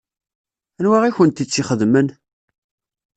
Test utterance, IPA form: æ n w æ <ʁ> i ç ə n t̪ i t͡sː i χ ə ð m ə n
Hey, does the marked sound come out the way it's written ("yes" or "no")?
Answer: yes